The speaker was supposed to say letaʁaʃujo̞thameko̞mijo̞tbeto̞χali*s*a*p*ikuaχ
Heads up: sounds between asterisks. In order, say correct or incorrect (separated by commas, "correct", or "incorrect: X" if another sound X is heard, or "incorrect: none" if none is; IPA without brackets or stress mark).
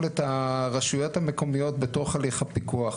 incorrect: χ, correct